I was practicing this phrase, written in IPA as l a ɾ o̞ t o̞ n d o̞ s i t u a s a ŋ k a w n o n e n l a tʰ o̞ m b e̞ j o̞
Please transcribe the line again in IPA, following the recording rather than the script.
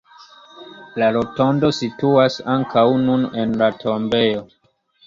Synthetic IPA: l a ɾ o̞ t o̞ n d o̞ s i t u a s a ŋ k a w n u n e n l a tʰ o̞ m b e̞ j o̞